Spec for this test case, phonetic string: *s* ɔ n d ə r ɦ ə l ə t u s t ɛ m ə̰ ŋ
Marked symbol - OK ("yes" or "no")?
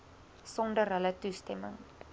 yes